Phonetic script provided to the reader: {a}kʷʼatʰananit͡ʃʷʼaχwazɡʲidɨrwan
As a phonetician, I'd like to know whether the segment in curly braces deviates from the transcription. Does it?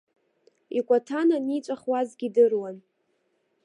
yes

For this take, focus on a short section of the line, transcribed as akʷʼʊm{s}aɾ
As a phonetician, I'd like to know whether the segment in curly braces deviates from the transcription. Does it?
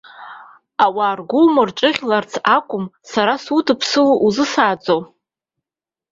no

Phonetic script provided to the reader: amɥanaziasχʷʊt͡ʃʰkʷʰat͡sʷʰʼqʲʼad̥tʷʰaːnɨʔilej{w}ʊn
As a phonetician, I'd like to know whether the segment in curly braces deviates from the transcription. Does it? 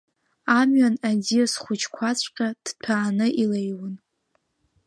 no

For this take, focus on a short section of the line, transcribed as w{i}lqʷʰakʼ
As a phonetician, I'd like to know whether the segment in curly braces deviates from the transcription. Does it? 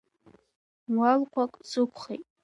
yes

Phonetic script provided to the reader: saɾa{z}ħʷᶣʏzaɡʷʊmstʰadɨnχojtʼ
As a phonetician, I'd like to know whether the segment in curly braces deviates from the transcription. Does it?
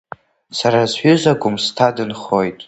no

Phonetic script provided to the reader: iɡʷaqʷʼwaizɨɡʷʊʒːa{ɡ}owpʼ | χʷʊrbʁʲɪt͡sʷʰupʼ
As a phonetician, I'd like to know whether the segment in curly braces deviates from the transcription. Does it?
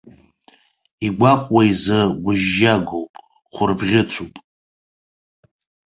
no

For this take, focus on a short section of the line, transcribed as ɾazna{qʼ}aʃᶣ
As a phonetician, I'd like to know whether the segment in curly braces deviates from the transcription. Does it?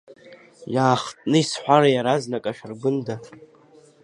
yes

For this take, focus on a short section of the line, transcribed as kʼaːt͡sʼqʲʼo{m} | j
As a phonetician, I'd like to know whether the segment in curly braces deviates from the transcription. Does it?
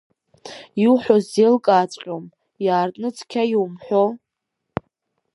no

